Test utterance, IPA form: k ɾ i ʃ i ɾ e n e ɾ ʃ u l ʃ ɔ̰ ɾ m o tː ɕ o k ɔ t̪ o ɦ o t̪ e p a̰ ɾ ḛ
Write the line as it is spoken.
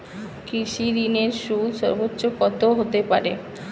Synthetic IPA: k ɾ i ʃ i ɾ i n e ɾ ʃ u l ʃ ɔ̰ ɾ b o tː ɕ o k ɔ t̪ o ɦ o t̪ e p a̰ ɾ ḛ